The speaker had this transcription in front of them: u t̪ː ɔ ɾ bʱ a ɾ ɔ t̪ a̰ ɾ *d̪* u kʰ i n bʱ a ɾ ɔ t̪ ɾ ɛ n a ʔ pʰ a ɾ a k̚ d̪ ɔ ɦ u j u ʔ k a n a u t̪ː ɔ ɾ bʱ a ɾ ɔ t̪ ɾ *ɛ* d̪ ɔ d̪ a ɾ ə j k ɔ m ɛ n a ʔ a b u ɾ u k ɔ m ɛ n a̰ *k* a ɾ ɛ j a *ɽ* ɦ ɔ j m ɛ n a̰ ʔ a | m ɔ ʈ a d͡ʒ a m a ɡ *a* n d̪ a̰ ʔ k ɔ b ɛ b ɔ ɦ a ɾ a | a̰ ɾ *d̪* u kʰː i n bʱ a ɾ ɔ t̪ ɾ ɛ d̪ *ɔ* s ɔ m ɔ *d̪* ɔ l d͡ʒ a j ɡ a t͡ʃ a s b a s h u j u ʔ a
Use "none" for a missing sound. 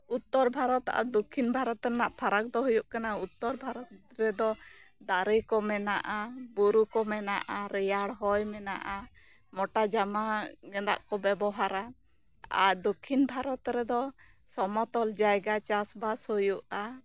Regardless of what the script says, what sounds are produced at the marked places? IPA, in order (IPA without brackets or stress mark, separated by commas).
d̪, ɛ, ʔ, ɽ, ɛ, d̪, ɔ, t̪